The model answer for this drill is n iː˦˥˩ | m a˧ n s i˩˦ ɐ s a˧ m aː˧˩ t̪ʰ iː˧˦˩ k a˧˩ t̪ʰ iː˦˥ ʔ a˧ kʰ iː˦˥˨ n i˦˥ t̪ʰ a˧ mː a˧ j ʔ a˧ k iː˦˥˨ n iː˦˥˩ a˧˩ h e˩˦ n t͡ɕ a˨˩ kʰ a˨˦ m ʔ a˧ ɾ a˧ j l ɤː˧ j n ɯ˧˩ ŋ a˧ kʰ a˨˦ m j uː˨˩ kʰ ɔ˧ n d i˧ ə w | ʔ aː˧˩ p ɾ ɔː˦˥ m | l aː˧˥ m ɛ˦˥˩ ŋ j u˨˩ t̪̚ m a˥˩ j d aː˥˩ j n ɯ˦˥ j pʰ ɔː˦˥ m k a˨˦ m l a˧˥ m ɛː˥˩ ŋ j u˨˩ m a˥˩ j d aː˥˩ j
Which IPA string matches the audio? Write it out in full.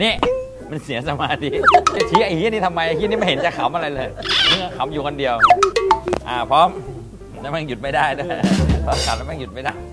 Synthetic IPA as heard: n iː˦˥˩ | m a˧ n s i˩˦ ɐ s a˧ m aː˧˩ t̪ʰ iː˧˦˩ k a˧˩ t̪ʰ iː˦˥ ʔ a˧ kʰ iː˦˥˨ n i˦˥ t̪ʰ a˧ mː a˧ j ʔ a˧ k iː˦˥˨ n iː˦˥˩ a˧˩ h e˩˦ n t͡ɕ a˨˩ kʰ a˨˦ m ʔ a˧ ɾ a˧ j l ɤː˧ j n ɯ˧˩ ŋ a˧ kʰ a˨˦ m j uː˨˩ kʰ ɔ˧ n d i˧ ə w | ʔ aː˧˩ pʰ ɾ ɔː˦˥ m | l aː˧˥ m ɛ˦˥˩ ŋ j u˨˩ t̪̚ m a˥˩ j d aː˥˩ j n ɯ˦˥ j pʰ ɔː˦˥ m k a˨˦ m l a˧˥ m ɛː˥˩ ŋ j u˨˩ m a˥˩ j d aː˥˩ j